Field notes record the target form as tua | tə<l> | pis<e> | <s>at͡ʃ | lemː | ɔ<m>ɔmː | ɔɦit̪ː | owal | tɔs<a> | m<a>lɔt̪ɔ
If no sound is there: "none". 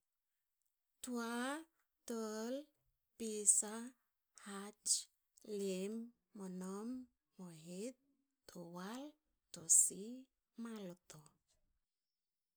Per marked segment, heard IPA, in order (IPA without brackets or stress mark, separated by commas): l, a, h, n, i, a